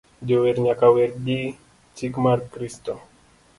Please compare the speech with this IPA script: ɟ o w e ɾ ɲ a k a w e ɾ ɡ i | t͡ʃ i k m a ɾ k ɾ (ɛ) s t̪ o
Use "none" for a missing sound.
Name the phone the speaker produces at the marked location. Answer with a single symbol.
i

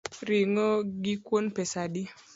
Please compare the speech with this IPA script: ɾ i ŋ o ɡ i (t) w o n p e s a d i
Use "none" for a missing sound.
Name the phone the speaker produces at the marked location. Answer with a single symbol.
k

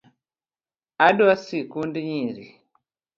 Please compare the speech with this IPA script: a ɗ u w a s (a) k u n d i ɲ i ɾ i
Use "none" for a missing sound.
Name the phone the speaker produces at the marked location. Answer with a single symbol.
i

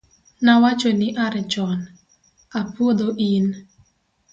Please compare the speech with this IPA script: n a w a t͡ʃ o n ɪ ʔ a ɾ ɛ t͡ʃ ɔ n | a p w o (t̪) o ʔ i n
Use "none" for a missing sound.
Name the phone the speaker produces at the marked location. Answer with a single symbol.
d̪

